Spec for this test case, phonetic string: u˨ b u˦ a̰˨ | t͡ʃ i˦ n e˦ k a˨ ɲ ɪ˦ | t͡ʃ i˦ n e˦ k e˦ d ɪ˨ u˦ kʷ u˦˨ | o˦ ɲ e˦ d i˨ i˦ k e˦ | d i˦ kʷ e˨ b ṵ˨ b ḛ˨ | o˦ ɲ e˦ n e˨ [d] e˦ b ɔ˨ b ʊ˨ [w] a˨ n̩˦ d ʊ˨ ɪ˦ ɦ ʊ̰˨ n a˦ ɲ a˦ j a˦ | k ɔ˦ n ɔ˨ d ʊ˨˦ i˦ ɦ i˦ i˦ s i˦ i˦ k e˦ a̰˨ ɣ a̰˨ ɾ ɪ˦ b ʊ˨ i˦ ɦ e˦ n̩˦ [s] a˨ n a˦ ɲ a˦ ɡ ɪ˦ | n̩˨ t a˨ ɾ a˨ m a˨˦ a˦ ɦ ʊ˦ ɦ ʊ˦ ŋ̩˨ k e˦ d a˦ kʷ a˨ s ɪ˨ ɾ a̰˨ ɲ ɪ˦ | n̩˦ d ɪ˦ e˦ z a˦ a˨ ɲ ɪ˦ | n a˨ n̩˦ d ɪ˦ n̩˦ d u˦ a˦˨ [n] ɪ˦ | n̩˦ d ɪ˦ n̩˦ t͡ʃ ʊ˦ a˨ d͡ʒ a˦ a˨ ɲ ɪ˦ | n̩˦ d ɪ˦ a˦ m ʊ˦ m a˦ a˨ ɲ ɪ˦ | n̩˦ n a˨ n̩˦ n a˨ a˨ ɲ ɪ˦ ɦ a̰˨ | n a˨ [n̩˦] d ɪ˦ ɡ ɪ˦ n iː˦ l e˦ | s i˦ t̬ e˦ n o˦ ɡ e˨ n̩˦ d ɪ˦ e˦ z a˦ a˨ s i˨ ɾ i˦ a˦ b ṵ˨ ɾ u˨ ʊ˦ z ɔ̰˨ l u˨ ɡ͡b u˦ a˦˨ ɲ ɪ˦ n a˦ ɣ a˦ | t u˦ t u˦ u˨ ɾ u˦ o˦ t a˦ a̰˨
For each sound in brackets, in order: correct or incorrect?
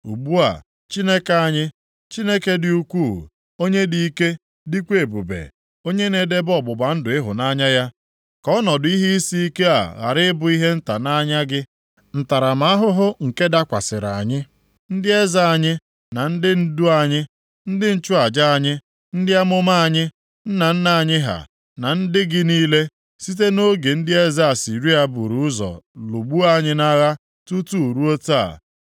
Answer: correct, incorrect: b, incorrect: t, incorrect: ɲ, correct

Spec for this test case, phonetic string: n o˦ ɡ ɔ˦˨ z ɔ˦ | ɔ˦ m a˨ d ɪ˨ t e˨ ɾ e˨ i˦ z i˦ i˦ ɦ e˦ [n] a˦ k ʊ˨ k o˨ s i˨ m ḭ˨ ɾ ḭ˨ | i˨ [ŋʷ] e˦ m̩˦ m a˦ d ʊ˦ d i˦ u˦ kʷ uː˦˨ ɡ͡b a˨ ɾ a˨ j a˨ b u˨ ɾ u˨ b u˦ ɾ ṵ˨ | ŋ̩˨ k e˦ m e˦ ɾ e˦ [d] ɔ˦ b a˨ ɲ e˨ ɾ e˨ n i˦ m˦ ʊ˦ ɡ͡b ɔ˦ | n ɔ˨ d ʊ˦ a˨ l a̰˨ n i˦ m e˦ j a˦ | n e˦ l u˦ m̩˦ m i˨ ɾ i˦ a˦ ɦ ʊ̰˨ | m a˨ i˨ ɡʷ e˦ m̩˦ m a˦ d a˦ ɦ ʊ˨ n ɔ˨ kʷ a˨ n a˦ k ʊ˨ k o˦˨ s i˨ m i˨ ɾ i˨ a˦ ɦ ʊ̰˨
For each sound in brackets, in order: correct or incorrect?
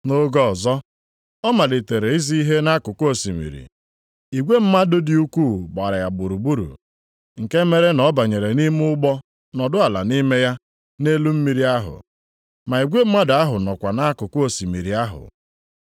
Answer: correct, incorrect: ɡʷ, incorrect: n

